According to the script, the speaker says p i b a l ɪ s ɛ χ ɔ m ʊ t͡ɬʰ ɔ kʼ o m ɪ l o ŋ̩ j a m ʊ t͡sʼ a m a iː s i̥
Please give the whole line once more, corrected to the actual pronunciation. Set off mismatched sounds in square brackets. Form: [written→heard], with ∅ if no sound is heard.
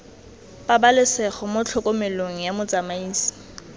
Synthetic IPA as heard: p [i→a] b a l ɪ s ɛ χ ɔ m ʊ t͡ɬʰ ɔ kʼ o m ɪ l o ŋ̩ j a m ʊ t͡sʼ a m a iː s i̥